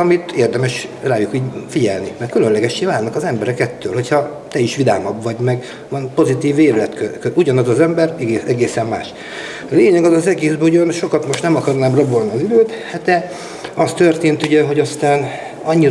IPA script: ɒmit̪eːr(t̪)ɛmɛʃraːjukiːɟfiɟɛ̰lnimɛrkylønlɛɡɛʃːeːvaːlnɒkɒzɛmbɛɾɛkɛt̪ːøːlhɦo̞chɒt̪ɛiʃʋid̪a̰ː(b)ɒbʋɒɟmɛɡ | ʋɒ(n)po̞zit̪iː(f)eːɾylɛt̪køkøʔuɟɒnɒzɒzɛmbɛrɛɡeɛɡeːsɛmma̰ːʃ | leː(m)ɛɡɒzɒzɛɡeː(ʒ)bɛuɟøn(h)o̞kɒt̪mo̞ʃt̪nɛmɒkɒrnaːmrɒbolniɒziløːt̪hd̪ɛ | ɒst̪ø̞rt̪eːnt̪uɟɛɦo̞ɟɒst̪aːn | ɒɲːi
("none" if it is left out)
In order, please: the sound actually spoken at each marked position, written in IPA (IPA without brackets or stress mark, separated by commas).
d̪, m, n, v, ɲ, z, ʃ